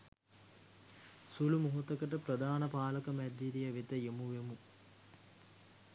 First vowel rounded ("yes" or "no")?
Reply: yes